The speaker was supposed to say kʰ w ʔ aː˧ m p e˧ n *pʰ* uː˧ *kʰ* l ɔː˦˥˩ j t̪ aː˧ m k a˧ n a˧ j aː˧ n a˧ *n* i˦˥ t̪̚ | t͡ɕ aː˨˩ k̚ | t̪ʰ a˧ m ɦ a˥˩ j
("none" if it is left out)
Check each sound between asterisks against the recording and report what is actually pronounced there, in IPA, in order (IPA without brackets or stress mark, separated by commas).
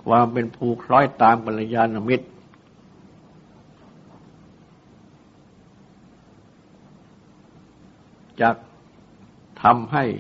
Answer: pʰ, kʰ, m